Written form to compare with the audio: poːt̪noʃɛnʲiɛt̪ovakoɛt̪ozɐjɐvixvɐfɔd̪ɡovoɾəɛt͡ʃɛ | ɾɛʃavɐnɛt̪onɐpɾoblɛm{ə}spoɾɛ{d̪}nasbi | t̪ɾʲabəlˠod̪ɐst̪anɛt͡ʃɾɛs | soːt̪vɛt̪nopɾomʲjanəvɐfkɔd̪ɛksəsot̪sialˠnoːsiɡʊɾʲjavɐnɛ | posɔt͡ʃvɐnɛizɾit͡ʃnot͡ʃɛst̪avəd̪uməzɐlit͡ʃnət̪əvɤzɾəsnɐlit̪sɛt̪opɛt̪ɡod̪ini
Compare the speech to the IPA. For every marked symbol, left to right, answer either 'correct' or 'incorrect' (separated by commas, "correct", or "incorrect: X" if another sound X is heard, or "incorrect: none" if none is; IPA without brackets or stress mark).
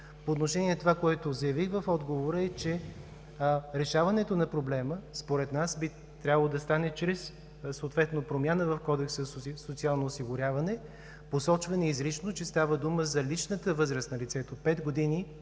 correct, incorrect: t̪